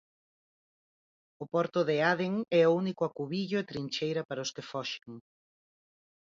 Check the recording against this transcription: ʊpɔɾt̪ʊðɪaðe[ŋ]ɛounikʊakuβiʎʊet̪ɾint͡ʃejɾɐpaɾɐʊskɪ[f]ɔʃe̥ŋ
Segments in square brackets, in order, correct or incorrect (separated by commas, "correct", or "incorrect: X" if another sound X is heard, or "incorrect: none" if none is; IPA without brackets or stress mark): correct, correct